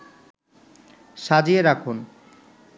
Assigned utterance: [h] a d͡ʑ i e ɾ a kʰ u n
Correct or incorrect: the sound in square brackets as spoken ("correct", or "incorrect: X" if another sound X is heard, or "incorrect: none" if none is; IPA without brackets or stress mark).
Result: incorrect: ʃ